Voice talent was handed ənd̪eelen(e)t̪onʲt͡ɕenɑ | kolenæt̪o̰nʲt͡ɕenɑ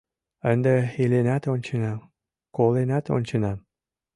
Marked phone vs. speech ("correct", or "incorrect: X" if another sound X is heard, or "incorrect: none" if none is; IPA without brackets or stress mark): incorrect: æ